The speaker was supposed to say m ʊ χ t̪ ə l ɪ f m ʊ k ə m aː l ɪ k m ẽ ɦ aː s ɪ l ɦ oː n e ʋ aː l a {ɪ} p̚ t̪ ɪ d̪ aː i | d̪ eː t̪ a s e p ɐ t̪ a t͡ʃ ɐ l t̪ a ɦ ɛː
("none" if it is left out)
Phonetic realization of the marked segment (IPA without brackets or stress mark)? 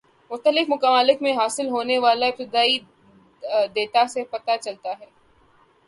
ɪ